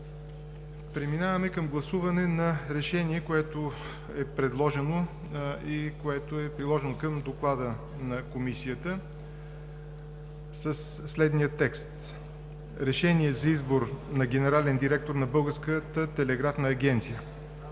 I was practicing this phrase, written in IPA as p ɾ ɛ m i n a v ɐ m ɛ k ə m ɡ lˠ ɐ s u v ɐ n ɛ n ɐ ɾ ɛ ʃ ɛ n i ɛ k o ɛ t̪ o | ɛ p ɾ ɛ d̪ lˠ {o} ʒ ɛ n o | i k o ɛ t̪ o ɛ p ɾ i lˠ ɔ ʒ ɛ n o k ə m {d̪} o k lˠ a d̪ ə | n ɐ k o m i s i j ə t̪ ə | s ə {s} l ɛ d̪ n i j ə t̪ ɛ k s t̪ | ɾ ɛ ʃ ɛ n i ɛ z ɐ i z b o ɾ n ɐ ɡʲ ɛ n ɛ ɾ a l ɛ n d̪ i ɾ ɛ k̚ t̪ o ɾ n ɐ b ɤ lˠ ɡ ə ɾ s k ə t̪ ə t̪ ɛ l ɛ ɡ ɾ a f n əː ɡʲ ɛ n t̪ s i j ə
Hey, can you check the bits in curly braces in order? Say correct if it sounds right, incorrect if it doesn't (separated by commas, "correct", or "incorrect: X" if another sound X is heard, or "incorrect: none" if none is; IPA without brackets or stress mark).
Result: incorrect: ɔ, correct, incorrect: sː